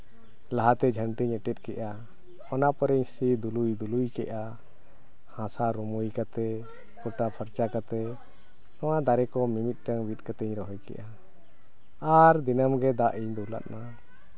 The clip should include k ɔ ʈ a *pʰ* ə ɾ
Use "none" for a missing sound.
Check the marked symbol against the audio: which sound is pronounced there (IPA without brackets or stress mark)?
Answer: pʰ